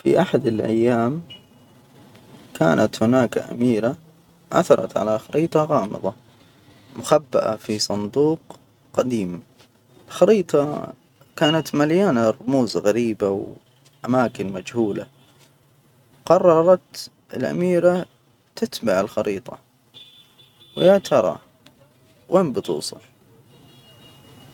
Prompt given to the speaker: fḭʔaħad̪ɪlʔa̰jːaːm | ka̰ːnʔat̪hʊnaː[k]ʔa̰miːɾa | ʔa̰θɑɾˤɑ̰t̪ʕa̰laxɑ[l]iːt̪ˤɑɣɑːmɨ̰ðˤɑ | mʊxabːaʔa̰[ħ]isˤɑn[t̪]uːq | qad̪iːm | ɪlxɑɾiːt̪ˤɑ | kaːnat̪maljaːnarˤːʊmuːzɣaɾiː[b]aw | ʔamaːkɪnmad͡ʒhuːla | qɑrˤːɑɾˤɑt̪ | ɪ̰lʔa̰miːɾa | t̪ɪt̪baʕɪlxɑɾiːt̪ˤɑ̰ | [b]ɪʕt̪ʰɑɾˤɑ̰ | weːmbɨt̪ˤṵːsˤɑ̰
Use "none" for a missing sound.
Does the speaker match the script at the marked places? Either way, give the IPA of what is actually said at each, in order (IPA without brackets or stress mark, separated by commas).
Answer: k, ɾ, f, d̪, b, w